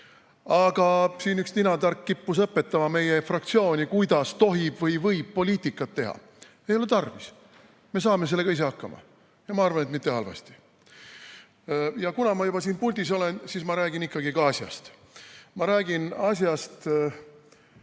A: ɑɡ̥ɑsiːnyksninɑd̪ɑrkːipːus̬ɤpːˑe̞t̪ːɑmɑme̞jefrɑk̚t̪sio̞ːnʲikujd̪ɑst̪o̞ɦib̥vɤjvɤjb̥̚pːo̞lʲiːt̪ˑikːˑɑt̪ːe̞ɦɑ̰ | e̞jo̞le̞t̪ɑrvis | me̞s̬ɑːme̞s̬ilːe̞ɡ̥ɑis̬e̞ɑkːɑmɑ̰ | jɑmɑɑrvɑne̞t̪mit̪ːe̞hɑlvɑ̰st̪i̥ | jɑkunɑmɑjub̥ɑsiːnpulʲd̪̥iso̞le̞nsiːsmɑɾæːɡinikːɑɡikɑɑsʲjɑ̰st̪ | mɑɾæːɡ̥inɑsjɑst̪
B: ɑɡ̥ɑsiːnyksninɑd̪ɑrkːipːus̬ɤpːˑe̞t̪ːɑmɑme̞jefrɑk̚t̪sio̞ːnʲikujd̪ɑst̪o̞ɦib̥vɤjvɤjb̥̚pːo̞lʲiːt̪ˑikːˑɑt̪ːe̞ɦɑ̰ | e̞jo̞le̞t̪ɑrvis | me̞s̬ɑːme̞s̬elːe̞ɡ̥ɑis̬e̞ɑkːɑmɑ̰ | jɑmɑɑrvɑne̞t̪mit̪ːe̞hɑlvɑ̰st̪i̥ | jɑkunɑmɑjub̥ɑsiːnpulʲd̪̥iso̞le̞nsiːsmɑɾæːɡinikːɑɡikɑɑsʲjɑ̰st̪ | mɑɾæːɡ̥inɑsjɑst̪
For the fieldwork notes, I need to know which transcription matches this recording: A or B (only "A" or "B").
B